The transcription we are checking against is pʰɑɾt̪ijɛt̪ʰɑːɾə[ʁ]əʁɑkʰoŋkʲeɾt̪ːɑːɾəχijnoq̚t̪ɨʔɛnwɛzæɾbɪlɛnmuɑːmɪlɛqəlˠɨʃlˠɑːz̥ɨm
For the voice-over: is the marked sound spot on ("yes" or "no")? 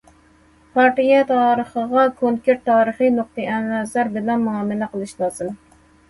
no